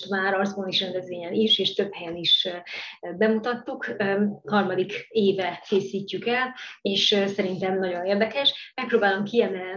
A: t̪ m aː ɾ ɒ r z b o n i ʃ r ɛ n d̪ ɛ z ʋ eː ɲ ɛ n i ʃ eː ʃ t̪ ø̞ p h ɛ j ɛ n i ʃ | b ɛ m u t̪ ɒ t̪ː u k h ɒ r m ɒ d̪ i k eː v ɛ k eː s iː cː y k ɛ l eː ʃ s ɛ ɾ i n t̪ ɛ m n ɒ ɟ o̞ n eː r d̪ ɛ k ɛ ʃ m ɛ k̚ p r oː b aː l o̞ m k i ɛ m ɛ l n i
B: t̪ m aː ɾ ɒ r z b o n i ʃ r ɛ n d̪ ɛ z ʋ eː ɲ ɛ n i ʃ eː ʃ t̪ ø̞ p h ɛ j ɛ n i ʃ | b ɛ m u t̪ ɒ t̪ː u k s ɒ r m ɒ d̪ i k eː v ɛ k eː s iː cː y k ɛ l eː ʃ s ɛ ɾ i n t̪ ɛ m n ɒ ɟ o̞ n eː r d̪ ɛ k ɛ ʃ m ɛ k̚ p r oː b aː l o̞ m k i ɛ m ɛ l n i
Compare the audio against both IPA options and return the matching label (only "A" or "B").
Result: A